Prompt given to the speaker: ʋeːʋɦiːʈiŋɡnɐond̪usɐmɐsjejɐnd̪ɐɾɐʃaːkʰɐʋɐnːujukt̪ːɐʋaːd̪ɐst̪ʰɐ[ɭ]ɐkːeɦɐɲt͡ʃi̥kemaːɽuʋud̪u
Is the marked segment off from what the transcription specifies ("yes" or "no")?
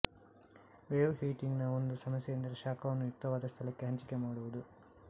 yes